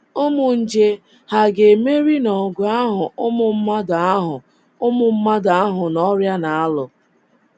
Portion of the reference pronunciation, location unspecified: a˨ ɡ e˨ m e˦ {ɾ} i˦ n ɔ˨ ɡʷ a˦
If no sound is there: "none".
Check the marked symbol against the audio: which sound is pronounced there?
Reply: ɾ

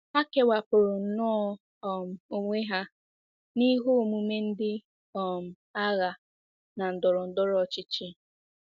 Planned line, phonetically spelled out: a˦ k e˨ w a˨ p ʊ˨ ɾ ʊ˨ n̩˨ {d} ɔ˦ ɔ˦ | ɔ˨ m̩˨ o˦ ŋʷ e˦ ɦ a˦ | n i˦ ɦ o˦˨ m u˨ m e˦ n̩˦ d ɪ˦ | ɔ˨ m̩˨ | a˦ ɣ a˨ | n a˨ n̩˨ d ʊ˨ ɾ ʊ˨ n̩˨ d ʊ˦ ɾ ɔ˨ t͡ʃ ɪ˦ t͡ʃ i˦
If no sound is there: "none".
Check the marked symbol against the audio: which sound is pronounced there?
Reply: n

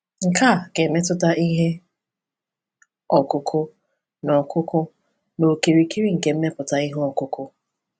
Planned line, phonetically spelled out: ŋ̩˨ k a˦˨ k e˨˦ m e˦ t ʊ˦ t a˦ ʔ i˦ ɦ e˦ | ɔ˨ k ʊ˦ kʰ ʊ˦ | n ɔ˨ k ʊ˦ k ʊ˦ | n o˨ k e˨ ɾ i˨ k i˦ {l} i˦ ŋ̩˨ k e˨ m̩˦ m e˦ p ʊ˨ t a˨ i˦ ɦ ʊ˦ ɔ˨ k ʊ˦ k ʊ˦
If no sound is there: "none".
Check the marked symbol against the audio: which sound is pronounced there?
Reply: ɾ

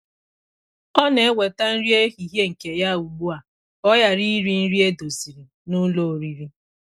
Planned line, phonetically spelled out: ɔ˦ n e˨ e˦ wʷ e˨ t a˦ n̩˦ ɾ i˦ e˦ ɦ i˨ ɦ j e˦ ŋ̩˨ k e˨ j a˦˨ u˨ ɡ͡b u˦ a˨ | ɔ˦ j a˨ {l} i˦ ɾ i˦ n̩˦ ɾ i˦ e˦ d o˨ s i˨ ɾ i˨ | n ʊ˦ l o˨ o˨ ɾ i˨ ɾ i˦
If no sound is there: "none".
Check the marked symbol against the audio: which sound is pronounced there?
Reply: ɾ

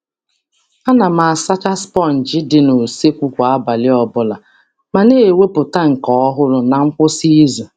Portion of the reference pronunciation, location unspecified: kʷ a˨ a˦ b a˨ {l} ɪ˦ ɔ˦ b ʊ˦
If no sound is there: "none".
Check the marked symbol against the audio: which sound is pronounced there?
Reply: l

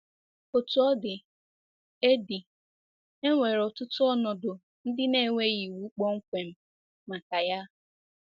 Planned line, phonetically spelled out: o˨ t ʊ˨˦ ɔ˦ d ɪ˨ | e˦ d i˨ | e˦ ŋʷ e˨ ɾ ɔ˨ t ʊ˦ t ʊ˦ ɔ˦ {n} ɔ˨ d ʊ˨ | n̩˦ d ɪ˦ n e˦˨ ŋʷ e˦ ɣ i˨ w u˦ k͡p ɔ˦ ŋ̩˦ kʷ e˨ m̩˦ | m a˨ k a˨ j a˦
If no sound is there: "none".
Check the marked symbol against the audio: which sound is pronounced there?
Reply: n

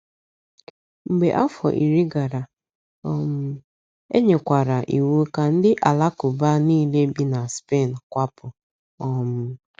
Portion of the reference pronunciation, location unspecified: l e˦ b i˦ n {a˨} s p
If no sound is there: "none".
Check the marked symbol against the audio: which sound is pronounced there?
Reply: a˨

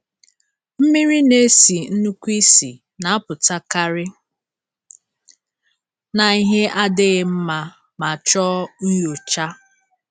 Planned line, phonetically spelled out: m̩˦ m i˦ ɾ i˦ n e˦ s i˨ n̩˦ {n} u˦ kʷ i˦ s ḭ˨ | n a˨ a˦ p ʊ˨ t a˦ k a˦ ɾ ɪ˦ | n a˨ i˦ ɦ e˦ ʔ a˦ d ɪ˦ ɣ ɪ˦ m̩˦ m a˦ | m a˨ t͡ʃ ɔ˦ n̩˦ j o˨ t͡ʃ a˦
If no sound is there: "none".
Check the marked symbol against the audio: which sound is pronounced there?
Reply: n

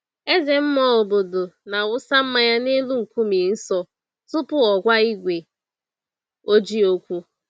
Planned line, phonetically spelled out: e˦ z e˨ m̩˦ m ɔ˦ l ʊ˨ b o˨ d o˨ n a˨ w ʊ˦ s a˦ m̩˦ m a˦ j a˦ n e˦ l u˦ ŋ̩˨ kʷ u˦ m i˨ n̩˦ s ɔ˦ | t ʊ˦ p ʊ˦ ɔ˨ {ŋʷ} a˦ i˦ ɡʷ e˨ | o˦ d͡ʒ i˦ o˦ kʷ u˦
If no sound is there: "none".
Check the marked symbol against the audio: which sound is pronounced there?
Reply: ɡʷ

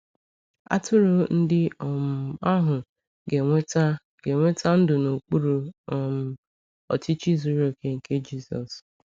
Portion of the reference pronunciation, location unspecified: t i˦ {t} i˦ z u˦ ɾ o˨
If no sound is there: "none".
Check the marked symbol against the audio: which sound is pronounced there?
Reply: t͡ʃ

